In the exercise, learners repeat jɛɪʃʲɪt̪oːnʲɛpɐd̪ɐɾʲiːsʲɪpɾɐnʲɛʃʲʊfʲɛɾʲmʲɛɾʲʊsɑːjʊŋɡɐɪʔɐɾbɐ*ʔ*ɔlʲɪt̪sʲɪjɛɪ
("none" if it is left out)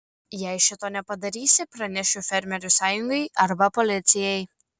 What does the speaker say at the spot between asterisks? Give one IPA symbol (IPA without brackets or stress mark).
p